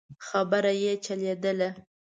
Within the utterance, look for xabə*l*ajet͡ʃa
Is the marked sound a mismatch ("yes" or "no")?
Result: yes